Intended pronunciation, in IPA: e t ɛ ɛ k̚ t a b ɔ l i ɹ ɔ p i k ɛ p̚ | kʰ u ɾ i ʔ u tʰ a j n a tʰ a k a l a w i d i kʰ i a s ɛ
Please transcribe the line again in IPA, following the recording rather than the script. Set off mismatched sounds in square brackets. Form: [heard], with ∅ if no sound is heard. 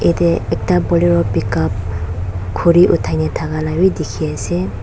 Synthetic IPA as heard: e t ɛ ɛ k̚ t a b ɔ l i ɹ ɔ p i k [a] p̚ | kʰ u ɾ i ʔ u tʰ a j n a tʰ a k a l a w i d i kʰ i a s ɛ

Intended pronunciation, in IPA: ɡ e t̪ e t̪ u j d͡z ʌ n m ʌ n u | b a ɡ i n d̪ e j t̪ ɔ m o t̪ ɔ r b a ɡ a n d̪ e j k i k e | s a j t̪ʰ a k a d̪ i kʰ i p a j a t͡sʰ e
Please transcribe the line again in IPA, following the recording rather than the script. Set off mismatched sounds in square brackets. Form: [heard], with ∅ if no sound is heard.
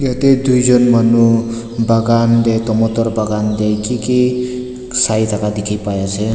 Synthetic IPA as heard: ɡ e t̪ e [d̪] u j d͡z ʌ n m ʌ n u | b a ɡ [a] n d̪ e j t̪ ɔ m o t̪ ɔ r b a ɡ a n d̪ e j k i k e | s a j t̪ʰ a k a d̪ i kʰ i p a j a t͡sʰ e

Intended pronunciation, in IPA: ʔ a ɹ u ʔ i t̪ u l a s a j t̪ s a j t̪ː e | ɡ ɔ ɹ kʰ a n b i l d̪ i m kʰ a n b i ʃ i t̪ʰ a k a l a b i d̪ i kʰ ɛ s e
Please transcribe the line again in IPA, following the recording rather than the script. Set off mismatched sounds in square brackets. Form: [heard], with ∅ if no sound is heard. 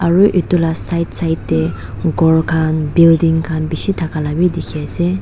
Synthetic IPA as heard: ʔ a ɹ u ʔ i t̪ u l a s a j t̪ s a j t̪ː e | ɡ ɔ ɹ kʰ a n b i l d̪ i [ŋ] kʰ a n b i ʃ i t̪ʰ a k a l a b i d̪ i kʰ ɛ s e

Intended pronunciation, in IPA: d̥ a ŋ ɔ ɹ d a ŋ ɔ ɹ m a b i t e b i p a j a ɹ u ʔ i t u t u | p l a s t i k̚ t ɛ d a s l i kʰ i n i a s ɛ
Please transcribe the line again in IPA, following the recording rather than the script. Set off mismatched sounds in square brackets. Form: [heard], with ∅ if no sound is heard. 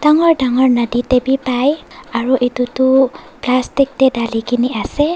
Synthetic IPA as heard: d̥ a ŋ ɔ ɹ d a ŋ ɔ ɹ [n] a [d] i t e b i p a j a ɹ u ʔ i t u t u | p l a s t i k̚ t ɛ d a [∅] l i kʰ i n i a s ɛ

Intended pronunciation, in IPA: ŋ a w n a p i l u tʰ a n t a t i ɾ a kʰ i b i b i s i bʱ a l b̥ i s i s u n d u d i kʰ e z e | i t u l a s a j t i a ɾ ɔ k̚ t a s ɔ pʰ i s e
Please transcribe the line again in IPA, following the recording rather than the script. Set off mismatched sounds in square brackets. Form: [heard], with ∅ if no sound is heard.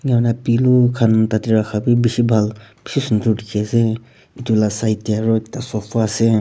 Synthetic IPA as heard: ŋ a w n a p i l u [kʰ] a n t a t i ɾ a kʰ [a] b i b i s i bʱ a l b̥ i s i s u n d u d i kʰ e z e | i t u l a s a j t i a ɾ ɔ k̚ t a s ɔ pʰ [a] s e

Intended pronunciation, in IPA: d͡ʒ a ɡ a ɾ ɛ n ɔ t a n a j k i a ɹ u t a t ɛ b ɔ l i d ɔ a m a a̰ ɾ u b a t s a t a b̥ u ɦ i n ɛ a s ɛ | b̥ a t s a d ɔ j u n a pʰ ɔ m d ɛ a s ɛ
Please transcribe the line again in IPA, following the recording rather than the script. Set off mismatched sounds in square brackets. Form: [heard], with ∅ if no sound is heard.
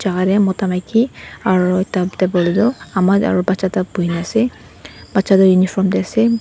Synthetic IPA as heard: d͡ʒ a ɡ a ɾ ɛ [m] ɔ t a [m] a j k i a ɹ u t a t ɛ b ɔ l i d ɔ a m a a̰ [ɹ] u b a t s a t a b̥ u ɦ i n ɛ a s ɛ | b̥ a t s a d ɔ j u n [i] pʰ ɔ m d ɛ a s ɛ

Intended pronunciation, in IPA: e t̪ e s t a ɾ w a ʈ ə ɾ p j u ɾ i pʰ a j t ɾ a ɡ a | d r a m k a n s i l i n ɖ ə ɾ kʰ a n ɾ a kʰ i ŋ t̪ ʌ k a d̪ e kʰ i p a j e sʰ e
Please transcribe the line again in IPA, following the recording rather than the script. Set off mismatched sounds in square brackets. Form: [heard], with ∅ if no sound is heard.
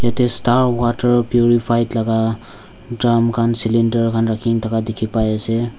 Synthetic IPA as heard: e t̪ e s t a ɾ w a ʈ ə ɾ p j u ɾ i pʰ a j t [l] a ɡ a | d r a m k a n s i l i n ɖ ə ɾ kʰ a n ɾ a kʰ i ŋ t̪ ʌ k a d̪ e kʰ i p a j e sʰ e

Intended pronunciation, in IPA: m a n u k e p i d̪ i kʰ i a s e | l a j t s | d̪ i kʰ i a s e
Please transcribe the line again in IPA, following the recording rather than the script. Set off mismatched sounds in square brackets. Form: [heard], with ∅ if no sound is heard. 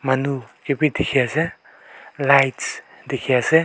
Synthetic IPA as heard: m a n u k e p i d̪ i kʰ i a s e | l a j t s | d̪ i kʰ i a s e

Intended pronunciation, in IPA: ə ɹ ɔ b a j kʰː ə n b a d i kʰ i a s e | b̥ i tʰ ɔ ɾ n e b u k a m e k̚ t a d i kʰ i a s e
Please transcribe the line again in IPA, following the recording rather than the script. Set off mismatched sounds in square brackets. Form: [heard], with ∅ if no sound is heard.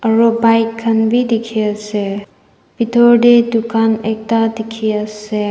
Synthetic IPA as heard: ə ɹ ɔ b a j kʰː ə n b [i] d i kʰ i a s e | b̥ i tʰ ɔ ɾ [d] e [d] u k a [n] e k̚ t a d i kʰ i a s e

